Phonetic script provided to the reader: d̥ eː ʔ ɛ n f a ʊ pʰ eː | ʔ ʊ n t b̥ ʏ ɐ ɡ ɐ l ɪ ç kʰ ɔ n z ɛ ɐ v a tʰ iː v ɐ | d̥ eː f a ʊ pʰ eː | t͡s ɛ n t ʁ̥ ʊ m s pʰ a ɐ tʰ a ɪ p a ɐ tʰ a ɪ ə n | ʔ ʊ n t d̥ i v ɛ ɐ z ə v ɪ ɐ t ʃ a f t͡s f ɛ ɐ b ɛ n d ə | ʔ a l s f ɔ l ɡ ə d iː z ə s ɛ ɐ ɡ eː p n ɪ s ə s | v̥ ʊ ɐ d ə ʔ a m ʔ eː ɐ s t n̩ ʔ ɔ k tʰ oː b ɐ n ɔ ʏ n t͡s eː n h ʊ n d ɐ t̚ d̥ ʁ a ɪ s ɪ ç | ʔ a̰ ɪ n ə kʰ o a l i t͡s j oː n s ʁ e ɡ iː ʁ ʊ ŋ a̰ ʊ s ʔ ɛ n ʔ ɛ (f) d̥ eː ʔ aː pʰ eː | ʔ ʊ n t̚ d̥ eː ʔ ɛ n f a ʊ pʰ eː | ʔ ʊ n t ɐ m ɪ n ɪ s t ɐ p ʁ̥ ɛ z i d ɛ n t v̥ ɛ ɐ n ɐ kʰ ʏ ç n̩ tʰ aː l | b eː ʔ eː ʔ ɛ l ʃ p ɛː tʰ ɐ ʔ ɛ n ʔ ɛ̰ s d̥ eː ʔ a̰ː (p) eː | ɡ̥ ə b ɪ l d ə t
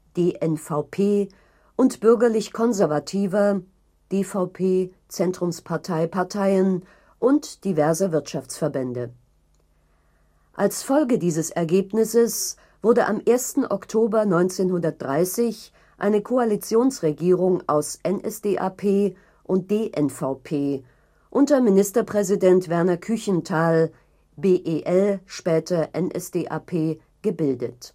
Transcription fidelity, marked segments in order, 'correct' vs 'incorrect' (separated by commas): incorrect, incorrect